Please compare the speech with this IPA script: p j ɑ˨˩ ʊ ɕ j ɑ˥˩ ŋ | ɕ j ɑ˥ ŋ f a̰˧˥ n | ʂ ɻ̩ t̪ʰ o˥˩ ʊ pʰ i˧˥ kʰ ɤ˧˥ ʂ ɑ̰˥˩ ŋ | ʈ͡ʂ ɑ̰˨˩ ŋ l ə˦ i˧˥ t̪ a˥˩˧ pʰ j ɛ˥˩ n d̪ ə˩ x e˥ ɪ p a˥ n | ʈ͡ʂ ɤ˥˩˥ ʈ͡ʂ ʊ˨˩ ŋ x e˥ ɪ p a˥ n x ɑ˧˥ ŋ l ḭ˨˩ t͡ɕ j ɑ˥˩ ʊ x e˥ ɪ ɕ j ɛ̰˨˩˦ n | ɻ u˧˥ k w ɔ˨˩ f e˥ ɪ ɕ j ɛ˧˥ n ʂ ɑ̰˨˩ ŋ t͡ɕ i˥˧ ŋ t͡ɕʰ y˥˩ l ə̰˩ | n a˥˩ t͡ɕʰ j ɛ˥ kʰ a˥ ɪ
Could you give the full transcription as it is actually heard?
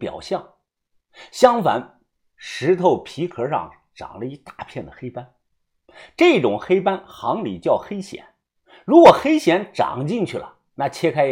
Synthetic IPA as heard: p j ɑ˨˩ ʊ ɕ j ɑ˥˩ ŋ | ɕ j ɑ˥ ŋ f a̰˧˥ n | ʂ ɻ̩ t̪ʰ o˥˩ ʊ pʰ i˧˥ kʰ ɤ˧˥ ʂ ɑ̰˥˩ ŋ | ʈ͡ʂ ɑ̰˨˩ ŋ l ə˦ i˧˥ t̪ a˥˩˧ pʰ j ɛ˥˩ n d̪ ə˩ x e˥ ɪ p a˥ n | ʈ͡ʂ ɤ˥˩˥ ʈ͡ʂ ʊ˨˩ ŋ x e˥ ɪ p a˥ n x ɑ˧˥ ŋ l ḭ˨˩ t͡ɕ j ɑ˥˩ ʊ x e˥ ɪ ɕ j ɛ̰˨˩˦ n | ɻ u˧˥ k w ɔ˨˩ x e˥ ɪ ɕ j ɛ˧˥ n ʈ͡ʂ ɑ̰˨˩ ŋ t͡ɕ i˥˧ ŋ t͡ɕʰ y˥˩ l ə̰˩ | n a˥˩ t͡ɕʰ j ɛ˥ kʰ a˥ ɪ